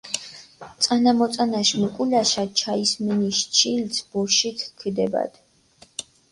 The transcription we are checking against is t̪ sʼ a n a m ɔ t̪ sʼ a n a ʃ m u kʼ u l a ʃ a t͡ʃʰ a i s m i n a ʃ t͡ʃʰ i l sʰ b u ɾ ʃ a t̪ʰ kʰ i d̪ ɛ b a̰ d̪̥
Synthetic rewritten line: t̪ sʼ a n a m ɔ t̪ sʼ a n a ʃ m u kʼ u l a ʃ a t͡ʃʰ a i s m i n i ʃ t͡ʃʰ i l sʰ b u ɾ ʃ i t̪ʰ kʰ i d̪ ɛ b a̰ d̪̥